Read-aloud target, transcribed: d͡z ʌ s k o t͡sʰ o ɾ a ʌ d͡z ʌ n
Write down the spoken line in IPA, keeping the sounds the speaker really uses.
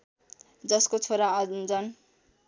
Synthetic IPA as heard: d͡z ʌ s k o t͡sʰ o ɾ a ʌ d͡z ʌ n